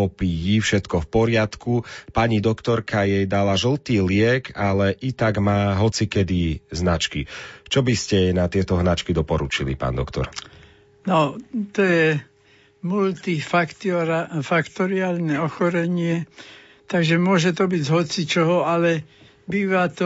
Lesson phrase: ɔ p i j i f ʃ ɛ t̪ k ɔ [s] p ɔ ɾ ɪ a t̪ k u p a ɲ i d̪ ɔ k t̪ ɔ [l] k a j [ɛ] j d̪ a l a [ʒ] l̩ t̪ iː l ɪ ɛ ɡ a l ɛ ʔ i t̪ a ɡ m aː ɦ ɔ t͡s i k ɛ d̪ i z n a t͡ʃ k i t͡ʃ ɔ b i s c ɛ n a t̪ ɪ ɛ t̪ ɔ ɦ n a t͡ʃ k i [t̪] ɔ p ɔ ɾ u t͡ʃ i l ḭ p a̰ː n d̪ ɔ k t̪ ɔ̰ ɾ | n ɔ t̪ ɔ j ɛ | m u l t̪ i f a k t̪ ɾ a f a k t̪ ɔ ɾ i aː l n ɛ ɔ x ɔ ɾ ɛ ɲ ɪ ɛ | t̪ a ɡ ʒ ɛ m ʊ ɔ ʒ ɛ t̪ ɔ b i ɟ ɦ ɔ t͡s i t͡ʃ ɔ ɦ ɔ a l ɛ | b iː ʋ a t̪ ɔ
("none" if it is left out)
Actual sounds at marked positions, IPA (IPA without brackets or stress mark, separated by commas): f, ɾ, ɛ, ʒ, d̪